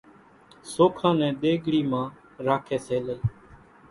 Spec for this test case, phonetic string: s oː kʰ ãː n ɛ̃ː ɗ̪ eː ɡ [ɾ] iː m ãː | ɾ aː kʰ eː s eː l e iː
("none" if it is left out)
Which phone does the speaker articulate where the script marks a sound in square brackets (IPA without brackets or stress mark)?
ɽ